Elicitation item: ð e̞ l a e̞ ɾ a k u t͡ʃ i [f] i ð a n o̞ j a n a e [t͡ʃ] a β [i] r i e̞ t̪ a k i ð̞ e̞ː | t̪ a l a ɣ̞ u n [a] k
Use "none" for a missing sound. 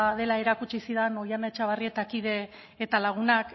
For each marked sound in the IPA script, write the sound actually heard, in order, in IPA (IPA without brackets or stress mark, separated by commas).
s, t͡ʃ, a, a